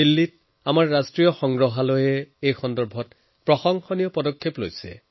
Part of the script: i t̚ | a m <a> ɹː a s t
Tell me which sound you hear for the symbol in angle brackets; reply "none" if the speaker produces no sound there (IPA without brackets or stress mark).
a